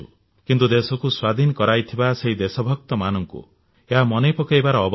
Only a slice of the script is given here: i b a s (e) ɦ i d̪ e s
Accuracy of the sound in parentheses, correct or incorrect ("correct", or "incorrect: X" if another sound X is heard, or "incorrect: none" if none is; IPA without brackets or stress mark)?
correct